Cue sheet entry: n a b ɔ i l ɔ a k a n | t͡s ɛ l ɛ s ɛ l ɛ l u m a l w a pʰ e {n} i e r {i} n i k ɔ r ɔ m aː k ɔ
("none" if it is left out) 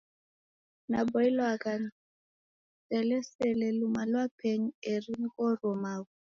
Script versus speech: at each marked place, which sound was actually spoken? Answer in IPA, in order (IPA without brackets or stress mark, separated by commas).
ɲ, i